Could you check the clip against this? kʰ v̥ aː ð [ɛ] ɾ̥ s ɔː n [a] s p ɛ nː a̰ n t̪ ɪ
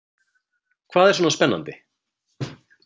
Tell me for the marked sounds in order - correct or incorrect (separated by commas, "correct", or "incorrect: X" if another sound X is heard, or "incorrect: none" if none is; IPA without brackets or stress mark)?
correct, correct